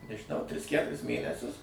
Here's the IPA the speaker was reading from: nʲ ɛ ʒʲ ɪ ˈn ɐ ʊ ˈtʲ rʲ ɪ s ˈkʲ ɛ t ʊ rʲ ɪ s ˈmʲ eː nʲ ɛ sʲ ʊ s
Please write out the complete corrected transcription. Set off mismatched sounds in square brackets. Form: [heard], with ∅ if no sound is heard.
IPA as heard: nʲ ɛ ʒʲ ɪ ˈn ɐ ʊ ˈtʲ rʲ ɪ s ˈkʲ [æ] t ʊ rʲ ɪ s ˈmʲ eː nʲ ɛ sʲ ʊ s